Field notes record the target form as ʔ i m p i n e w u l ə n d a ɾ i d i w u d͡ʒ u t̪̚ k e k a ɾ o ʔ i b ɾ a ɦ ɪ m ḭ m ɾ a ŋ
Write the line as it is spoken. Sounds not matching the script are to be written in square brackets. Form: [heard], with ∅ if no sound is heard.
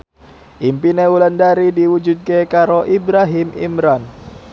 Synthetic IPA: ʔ i m p i n e w u l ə n d a ɾ i d i w u d͡ʒ u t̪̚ k e k a ɾ o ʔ i b ɾ a ɦ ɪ m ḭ m ɾ a [n]